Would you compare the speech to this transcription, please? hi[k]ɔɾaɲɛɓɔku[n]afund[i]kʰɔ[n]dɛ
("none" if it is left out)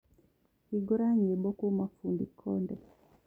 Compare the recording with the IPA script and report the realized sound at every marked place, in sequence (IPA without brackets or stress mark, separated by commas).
ɡ, m, i, n